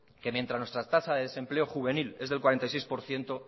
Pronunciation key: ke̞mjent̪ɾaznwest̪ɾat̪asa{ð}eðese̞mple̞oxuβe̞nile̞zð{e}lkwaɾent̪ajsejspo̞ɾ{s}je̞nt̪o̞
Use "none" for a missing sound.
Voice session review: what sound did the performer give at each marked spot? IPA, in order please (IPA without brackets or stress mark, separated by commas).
ð, e, θ